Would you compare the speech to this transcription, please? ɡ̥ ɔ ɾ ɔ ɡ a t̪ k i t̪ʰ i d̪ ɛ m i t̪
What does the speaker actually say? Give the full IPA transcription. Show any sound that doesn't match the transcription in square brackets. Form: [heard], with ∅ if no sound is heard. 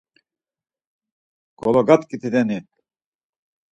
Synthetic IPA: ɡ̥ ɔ [l] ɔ ɡ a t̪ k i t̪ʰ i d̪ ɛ [n] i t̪